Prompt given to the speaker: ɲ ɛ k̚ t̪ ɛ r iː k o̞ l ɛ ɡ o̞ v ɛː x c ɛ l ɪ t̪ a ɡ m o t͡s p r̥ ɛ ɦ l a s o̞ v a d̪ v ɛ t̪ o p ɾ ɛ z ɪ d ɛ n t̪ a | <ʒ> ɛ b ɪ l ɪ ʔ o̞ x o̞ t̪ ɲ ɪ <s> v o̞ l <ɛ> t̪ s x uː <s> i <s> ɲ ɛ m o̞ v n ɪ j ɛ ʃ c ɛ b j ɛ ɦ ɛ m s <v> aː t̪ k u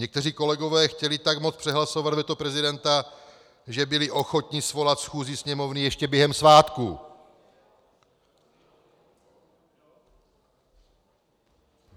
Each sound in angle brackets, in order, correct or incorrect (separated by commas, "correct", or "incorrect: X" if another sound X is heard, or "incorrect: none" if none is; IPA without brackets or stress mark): correct, correct, incorrect: a, incorrect: z, correct, correct